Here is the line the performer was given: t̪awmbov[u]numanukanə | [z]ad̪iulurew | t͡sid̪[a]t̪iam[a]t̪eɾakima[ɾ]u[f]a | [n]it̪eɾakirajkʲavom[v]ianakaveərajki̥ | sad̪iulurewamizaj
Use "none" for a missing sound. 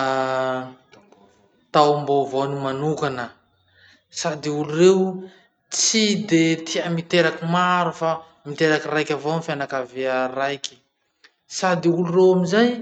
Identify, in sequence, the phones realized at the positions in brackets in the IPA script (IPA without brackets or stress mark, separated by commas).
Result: o, s, e, i, ɾ, f, m, f